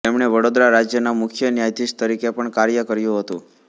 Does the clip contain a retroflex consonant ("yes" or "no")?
yes